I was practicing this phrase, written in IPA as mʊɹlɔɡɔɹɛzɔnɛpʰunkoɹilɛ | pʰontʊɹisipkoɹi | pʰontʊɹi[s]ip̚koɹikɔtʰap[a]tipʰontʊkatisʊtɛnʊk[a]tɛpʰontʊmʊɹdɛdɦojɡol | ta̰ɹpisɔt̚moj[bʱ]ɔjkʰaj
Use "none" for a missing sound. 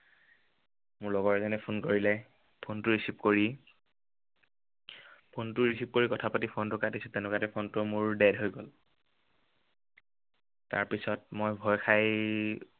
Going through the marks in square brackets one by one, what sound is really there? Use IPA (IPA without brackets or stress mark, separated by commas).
s, a, a, bʱ